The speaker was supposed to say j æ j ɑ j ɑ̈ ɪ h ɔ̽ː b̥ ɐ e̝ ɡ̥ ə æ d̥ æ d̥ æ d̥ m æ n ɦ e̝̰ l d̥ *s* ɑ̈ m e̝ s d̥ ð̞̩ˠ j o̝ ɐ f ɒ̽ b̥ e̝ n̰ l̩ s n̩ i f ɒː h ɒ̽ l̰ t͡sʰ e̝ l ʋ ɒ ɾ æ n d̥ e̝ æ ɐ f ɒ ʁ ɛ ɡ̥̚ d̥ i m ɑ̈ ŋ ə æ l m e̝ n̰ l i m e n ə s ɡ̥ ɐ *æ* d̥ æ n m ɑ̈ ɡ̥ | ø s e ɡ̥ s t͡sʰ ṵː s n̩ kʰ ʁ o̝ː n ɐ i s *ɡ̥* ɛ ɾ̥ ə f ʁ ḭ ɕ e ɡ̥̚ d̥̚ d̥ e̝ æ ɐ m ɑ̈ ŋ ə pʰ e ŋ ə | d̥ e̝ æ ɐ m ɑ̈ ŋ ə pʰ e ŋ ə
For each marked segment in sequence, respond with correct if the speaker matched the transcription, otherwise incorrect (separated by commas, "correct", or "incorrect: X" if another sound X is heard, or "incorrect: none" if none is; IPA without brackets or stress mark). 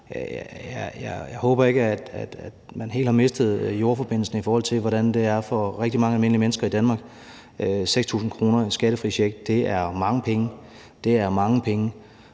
incorrect: h, incorrect: i, correct